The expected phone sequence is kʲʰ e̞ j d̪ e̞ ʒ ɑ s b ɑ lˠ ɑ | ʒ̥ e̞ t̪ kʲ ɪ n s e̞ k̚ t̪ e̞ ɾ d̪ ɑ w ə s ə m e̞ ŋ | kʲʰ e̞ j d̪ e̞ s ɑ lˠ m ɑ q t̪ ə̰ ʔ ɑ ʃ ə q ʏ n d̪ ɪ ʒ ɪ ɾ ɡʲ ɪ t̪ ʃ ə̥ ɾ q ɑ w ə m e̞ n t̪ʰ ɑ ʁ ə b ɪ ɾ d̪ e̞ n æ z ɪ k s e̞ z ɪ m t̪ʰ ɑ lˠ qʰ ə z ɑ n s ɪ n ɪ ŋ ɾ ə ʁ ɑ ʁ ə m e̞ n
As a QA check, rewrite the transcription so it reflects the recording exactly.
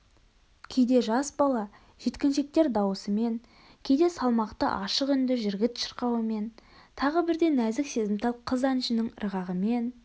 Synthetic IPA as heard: kʲʰ e̞ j d̪ e̞ ʒ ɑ s b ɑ lˠ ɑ | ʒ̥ e̞ t̪ kʲ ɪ n ʃ e̞ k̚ t̪ e̞ ɾ d̪ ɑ w ə s ə m e̞ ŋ | kʲʰ e̞ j d̪ e̞ s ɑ lˠ m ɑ q t̪ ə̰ ʔ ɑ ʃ ə q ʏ n d̪ ɪ ʒ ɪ ɾ ɡʲ ɪ t̪ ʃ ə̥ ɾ q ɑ w ə m e̞ n t̪ʰ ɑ ʁ ə b ɪ ɾ d̪ e̞ n æ z ɪ k s e̞ z ɪ m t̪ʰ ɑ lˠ qʰ ə z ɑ n ʃ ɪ n ɪ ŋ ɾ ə ʁ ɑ ʁ ə m e̞ n

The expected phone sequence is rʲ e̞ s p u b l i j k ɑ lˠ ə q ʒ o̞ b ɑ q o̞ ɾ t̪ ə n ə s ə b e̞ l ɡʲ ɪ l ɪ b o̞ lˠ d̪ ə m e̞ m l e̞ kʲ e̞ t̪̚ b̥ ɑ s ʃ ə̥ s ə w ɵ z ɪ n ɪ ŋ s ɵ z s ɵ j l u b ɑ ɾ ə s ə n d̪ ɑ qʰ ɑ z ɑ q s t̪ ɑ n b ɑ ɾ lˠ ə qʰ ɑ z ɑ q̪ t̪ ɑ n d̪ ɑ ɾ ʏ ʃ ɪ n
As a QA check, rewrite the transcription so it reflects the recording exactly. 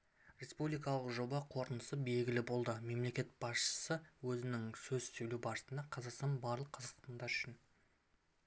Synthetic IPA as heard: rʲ e̞ s p u b l i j k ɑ lˠ ə q ʒ o̞ b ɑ qʰ o̞ ɾ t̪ ə n ə s ə b e̞ l ɡʲ ɪ l ɪ b o̞ lˠ d̪ ə m e̞ m l e̞ kʲ e̞ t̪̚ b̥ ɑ s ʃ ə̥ s ə w ɵ z ɪ n ɪ ŋ s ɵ z s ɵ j l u b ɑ ɾ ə s ə n d̪ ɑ qʰ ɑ z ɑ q s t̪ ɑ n b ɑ ɾ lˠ ə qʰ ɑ z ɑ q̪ t̪ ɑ n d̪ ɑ ɾ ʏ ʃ ɪ n

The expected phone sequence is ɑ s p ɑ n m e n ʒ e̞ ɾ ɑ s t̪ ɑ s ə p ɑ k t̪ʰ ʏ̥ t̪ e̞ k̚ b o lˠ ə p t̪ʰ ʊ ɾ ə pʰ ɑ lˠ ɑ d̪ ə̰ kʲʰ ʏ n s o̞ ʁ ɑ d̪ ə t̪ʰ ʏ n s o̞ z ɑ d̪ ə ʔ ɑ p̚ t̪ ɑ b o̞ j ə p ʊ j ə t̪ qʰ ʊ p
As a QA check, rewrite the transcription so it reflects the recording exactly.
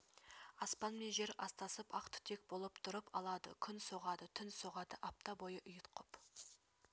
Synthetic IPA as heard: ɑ s p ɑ n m e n ʒ e̞ ɾ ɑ s t̪ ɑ s ə p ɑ q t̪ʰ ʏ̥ t̪ e̞ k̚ b o lˠ ə p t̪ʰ ʊ ɾ ə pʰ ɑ lˠ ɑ d̪ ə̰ kʲʰ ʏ n s o̞ ʁ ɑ d̪ ə t̪ʰ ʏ n s o̞ ʁ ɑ d̪ ə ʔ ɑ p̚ t̪ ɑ b o̞ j ə ʔ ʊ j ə t̪ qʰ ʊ p

